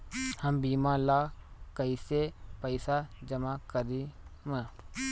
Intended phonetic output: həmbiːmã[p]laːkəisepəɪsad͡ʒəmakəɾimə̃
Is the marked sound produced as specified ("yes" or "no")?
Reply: no